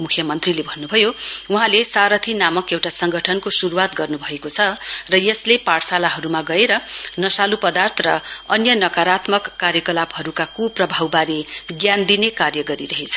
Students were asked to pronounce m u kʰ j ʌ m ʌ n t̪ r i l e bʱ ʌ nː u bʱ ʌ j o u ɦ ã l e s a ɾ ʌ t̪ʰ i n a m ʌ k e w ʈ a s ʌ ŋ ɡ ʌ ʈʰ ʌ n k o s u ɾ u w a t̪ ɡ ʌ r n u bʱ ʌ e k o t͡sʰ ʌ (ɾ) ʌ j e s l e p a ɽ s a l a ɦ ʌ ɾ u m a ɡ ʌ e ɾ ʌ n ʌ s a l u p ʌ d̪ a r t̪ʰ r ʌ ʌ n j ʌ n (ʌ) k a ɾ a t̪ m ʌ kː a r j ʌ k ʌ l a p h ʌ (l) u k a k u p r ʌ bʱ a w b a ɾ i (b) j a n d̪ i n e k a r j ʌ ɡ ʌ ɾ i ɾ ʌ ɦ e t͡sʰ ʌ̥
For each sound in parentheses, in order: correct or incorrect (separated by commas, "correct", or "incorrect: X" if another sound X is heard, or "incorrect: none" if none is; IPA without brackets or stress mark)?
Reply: incorrect: r, correct, incorrect: ɾ, incorrect: ɡ